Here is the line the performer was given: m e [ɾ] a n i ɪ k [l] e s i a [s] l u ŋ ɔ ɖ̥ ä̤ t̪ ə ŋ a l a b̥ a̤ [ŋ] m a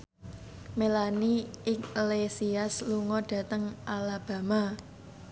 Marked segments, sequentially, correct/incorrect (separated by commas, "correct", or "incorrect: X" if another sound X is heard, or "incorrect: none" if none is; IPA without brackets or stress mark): incorrect: l, correct, correct, incorrect: none